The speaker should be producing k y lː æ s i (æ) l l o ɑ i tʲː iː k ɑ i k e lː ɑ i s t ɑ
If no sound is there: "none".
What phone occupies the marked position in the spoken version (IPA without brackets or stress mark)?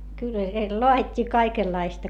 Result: e